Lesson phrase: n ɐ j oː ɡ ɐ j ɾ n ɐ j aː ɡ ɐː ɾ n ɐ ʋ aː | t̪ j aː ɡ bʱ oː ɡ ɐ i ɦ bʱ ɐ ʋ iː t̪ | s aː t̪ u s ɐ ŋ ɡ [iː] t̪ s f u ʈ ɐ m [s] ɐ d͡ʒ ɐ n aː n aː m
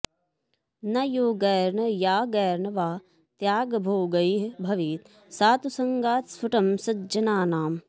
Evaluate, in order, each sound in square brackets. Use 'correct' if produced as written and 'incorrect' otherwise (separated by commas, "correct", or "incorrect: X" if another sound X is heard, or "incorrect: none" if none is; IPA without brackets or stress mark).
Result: incorrect: aː, correct